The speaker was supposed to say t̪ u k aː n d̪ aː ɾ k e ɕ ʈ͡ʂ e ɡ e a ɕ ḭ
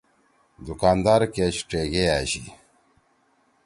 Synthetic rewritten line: d̪ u k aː n d̪ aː ɾ k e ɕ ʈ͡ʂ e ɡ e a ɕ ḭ

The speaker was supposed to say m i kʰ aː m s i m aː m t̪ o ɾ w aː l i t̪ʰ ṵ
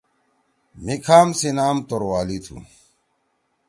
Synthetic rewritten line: m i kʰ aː m s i n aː m t̪ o ɾ w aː l i t̪ʰ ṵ

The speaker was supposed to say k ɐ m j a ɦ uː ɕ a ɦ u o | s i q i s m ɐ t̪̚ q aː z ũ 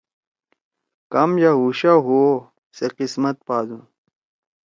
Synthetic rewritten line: k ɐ m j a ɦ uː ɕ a ɦ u o | s e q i s m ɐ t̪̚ p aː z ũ

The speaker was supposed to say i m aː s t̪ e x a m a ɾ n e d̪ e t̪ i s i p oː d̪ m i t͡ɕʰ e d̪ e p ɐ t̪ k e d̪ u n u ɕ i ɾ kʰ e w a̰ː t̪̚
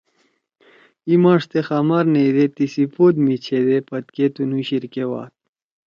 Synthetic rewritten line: i m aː ʂ t̪ e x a m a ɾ n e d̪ e t̪ i s i p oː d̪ m i t͡ɕʰ e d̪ e p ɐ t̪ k e t̪ u n u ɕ i ɾ k e w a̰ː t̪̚

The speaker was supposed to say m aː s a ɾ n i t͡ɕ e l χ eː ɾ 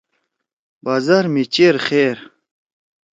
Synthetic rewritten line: b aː z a ɾ m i t͡ɕ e ɾ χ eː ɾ

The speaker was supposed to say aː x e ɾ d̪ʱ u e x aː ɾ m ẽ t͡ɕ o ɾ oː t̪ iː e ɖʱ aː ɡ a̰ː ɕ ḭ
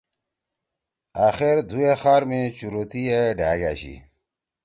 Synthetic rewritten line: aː x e ɾ d̪ʱ u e x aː ɾ m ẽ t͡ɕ u ɾ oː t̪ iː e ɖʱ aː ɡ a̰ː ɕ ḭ

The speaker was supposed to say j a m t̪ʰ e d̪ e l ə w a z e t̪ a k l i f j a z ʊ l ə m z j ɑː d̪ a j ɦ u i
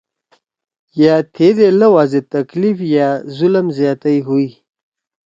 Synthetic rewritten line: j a t̪ʰ e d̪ e l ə w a z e t̪ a k l i f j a z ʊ l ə m z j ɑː t̪ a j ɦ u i

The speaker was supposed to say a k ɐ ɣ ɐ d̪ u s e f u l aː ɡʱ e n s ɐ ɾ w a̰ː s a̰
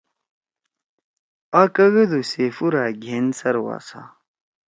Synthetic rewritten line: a k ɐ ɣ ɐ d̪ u s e f u ɾ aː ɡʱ e n s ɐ ɾ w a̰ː s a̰

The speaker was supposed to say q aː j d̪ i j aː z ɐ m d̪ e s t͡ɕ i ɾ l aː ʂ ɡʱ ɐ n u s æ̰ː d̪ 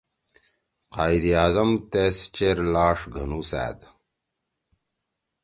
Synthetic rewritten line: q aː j d̪ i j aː z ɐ m t̪ e s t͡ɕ e ɾ l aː ʂ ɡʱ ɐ n u s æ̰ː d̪

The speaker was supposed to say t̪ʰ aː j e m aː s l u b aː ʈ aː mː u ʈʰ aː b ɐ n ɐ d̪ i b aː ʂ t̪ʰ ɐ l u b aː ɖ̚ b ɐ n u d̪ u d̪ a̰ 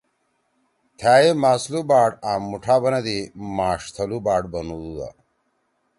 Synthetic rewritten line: t̪ʰ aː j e m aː s l u b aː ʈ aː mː u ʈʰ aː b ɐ n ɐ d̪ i m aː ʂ t̪ʰ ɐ l u b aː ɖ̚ b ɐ n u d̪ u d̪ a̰

